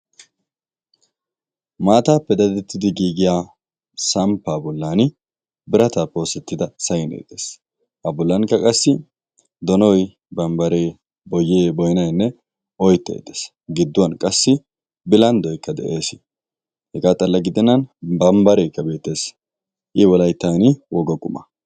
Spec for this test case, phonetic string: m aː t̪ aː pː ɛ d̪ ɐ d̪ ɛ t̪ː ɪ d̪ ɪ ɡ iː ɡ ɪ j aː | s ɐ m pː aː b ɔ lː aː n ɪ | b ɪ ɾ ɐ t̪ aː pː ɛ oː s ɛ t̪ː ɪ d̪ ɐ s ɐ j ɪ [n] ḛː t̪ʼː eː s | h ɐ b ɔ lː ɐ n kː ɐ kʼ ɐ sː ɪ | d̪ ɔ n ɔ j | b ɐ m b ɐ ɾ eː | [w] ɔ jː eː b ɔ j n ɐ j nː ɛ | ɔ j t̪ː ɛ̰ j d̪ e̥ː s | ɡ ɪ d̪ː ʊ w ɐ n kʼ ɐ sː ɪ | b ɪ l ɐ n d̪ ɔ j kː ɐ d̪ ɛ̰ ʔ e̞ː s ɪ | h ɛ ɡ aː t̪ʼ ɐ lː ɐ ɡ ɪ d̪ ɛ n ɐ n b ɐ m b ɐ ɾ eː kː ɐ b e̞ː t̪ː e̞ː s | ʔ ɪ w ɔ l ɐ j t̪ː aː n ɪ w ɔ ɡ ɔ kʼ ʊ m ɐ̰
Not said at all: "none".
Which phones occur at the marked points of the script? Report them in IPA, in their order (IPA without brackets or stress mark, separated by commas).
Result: n, b